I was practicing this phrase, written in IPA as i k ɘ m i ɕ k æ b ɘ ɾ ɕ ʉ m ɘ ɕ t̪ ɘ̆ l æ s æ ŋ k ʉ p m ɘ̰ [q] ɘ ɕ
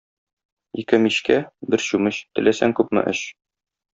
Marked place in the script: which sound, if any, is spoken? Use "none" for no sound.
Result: ʔ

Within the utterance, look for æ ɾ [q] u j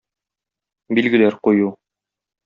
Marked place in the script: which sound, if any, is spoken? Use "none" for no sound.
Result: q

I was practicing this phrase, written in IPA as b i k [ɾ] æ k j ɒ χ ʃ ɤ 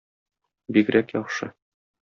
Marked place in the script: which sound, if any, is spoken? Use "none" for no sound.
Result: ɾ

